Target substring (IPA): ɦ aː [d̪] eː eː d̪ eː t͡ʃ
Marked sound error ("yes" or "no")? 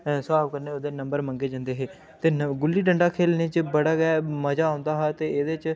yes